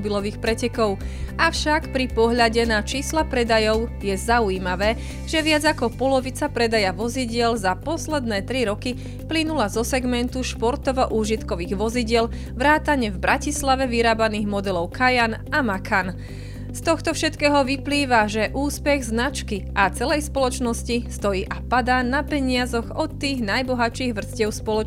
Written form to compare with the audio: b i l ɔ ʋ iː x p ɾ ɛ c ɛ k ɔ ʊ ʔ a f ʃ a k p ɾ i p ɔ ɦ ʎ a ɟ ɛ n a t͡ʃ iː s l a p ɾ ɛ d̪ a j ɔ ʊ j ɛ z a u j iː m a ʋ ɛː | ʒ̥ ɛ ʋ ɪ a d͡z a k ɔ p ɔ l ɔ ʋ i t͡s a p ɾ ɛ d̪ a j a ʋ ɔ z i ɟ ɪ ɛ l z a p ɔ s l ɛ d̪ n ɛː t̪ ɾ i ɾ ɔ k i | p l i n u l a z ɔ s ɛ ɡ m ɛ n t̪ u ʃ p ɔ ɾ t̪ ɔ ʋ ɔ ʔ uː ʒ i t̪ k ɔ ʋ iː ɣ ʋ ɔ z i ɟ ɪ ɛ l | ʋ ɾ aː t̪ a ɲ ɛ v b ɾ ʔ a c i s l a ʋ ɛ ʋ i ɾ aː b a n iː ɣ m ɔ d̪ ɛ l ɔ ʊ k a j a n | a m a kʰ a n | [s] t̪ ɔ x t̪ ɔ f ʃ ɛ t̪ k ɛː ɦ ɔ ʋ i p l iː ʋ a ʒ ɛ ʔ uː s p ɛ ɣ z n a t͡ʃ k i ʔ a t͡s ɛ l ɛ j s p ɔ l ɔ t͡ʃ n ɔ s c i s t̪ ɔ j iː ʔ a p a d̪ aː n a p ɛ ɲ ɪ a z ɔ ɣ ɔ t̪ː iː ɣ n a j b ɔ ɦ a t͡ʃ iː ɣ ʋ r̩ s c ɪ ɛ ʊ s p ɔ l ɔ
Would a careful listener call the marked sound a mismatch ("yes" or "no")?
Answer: no